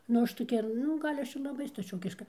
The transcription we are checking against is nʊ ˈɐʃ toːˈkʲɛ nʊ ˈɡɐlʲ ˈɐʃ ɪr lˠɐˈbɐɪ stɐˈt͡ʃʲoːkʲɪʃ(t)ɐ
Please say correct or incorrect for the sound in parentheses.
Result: incorrect